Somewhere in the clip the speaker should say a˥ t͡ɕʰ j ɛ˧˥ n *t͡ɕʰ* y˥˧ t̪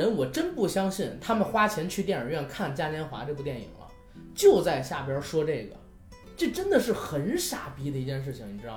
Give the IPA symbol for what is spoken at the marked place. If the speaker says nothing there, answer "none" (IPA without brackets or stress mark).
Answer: t͡ɕʰ